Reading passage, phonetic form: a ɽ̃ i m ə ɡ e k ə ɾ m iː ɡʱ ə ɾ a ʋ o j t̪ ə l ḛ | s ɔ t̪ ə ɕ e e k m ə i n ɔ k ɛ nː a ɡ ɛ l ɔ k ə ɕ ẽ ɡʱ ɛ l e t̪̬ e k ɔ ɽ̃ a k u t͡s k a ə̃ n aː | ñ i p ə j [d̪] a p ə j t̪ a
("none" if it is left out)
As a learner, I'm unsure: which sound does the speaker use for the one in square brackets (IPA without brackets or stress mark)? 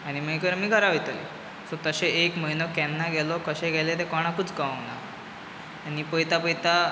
t̪